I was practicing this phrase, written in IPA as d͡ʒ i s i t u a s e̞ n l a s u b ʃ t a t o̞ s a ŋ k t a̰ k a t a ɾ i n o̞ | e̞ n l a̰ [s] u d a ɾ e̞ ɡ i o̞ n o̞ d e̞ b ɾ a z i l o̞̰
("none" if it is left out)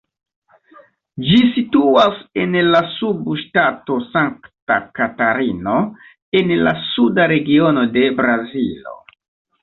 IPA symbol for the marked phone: s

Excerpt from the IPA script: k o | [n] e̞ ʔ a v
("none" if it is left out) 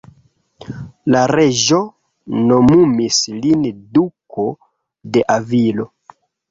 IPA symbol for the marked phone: d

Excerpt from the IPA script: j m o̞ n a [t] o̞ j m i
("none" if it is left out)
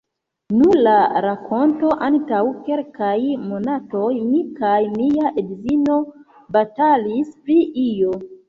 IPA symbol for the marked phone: t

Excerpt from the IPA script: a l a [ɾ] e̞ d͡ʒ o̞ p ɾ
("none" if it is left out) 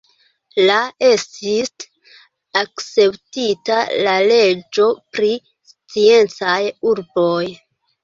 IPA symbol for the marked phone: l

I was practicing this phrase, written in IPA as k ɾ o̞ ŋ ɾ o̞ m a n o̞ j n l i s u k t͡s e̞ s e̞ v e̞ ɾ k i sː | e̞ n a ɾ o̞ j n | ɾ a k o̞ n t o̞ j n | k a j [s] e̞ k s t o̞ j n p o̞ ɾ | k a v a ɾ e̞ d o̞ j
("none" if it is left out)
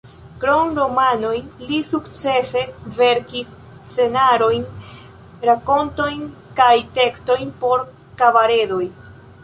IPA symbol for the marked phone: t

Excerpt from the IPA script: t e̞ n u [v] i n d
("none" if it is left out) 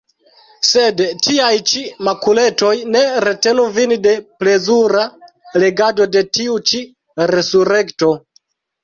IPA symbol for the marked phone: v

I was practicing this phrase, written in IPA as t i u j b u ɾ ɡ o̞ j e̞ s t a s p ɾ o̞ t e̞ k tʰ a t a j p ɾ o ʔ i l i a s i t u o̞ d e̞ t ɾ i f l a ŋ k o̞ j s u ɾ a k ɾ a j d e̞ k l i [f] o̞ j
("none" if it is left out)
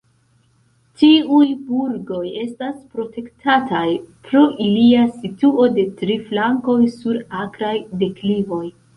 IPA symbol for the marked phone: v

